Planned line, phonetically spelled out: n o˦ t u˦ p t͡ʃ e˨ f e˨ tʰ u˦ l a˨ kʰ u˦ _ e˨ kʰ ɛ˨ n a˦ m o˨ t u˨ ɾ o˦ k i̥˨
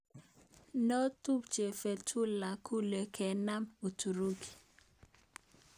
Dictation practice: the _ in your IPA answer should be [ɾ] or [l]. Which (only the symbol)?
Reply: l